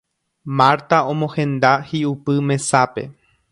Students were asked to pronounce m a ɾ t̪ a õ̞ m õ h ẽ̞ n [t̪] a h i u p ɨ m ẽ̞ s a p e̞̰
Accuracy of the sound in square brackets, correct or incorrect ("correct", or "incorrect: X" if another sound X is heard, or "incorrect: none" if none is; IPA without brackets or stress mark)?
incorrect: d̪